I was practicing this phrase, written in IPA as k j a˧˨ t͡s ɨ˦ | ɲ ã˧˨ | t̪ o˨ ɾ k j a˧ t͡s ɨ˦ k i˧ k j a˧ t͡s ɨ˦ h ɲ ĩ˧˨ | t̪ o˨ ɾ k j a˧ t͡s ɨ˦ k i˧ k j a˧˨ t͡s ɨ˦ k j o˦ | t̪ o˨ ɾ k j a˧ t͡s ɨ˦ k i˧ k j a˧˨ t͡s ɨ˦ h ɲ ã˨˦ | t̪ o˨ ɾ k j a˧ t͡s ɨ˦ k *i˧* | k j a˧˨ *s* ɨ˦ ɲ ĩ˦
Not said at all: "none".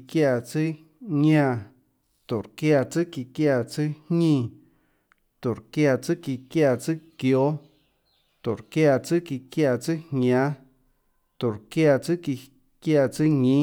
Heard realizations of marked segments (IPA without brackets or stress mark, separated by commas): i˧, t͡s